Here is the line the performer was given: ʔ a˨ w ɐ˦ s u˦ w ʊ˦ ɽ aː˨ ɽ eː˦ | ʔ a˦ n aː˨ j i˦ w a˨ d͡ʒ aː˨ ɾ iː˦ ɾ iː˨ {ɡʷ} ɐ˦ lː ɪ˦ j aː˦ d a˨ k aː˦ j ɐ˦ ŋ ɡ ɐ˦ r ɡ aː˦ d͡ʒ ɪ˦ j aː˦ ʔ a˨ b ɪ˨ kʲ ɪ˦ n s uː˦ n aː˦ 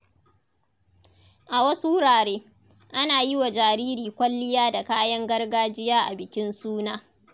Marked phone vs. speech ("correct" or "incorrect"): incorrect